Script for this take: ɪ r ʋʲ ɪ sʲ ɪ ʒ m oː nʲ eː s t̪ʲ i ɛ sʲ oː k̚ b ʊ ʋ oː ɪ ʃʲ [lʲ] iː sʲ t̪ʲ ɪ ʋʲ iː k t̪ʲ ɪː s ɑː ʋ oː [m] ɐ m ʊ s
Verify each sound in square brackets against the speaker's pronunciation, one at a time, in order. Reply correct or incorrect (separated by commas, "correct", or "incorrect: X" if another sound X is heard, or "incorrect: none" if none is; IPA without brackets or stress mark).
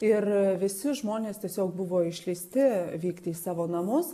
correct, incorrect: n